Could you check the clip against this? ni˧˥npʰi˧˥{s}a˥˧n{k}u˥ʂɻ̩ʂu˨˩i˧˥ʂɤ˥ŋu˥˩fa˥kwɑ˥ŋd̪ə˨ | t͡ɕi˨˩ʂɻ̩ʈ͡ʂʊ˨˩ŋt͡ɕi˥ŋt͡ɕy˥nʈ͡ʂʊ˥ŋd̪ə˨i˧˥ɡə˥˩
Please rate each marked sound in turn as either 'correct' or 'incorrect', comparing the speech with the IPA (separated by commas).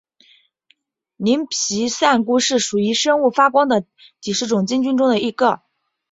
correct, correct